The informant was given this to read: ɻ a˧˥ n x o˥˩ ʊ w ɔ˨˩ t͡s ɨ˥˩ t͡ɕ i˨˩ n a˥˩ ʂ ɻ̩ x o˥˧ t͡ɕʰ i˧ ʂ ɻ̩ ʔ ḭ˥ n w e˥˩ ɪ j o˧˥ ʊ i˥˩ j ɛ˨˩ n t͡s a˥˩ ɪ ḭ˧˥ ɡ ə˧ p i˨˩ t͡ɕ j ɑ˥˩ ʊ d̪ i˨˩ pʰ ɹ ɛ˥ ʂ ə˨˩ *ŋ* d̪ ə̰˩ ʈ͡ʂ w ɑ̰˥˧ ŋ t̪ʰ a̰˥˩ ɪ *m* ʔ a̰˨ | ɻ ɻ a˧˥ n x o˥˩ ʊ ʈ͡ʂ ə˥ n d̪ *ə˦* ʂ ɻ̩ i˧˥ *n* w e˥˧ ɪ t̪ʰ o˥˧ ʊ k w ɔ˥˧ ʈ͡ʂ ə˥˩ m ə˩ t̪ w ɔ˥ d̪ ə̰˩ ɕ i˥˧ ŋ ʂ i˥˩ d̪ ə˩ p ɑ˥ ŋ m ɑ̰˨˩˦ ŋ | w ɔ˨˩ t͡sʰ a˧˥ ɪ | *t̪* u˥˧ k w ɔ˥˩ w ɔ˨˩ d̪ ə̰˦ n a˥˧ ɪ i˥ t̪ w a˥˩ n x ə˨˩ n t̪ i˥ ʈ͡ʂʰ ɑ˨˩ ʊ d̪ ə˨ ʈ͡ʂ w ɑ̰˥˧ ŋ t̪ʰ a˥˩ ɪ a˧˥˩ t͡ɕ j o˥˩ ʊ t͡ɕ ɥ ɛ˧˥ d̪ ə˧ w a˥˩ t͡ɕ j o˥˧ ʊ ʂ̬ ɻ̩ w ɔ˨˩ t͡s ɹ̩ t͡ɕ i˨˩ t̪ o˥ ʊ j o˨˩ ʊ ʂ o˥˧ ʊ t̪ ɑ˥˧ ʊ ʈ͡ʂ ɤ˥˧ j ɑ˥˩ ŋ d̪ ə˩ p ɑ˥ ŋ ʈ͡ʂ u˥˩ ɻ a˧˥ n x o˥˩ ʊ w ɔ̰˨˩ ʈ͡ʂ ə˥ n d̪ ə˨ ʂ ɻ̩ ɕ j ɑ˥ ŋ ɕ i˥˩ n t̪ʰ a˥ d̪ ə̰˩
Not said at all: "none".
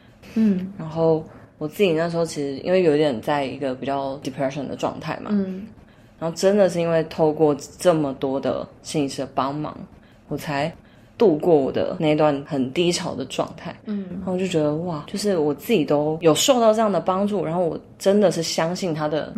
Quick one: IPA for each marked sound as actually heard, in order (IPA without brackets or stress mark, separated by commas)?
n, m, ə˨, n, t̪